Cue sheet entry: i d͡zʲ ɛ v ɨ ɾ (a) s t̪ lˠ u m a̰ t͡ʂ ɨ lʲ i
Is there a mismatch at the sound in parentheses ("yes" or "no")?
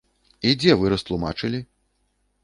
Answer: yes